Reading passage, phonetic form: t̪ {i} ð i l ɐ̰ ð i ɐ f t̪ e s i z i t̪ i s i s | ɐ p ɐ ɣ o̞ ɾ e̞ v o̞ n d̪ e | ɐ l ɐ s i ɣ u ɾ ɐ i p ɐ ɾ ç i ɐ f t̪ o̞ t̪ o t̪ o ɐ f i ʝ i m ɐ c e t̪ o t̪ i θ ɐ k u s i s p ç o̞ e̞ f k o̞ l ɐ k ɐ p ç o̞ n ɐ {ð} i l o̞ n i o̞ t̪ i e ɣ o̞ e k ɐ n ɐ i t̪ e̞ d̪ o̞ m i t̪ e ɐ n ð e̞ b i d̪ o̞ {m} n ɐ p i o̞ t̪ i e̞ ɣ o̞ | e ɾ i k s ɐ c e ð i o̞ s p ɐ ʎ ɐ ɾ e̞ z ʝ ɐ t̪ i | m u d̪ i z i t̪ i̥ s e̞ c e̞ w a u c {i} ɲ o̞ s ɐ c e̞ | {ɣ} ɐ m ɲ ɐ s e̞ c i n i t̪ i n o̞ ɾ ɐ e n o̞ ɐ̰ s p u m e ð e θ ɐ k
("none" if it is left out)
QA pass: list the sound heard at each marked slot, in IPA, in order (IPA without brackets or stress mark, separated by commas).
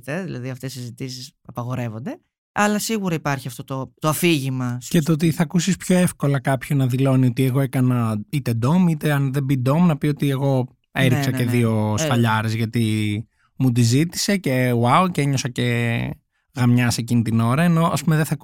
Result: e, ð, m, e, ɣ